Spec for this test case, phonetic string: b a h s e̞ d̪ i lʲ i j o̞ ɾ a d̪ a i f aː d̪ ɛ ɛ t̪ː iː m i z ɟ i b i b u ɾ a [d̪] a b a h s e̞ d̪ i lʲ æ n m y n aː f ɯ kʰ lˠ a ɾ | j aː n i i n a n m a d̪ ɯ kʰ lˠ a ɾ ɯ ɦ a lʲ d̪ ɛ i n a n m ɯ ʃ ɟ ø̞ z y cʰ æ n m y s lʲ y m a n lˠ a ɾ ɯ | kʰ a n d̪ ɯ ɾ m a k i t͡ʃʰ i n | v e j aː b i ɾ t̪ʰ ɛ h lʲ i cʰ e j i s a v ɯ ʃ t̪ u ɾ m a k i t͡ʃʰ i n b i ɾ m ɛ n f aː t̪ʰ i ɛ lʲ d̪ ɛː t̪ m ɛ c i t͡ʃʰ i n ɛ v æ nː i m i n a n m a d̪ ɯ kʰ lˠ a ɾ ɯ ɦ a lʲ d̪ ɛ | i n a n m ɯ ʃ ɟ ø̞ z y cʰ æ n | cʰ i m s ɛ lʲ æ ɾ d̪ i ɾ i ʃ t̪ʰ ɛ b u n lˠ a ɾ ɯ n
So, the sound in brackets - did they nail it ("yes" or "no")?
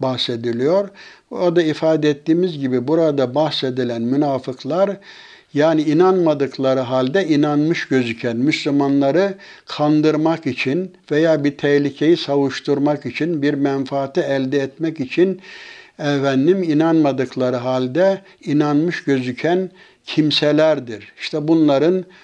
yes